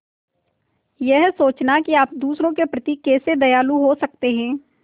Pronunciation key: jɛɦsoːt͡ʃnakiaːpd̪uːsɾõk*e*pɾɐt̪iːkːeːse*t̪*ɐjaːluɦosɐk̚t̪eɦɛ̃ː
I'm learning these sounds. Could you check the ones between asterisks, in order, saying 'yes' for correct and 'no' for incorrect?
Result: yes, no

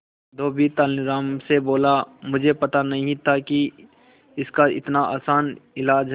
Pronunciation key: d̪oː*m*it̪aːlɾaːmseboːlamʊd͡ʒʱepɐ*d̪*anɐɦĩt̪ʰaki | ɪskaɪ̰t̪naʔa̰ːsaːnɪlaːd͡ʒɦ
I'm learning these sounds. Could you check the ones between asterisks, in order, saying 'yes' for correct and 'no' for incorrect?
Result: no, no

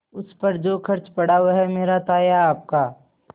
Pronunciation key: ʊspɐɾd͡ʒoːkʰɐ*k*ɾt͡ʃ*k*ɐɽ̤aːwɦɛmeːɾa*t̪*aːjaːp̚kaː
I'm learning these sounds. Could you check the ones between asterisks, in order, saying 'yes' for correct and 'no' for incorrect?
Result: no, no, yes

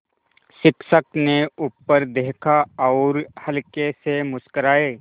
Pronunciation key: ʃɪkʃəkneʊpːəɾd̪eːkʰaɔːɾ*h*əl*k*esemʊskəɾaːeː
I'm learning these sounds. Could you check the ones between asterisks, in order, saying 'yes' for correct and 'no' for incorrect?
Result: yes, yes

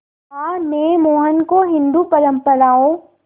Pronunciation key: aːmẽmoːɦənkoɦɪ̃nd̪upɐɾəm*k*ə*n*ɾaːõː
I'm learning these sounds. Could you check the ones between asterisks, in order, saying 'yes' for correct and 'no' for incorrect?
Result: no, no

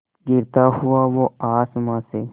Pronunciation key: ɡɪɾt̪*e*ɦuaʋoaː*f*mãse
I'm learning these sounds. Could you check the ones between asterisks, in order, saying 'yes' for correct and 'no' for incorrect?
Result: no, no

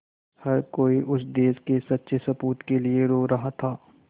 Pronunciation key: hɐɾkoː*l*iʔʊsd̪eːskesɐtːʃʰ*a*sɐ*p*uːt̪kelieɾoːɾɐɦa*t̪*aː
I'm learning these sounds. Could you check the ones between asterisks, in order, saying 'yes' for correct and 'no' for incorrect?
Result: no, no, yes, no

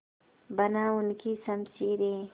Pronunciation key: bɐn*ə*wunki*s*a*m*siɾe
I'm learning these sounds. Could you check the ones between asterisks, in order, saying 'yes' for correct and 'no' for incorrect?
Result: no, yes, yes

